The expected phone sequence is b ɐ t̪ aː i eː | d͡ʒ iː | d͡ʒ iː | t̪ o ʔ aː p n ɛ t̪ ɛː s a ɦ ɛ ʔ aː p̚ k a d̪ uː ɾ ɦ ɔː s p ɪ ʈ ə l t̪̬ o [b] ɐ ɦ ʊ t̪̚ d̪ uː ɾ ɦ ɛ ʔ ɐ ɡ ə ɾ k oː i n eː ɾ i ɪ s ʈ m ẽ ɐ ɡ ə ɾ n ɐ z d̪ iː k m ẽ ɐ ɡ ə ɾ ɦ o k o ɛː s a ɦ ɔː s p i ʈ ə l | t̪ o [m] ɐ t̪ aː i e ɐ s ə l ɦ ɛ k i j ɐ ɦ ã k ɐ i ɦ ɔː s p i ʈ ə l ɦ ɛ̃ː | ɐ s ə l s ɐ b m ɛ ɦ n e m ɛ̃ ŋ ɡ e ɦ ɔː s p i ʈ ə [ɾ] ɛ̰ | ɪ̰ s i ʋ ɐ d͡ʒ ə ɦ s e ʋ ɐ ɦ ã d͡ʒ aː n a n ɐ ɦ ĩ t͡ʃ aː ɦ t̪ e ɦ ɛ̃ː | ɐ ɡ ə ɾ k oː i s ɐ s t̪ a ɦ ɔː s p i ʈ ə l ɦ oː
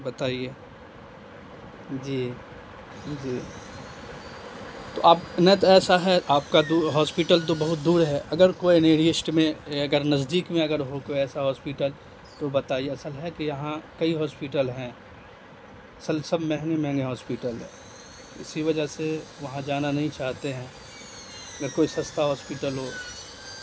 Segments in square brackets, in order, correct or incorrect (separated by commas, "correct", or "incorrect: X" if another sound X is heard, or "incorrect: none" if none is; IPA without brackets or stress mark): correct, incorrect: b, incorrect: l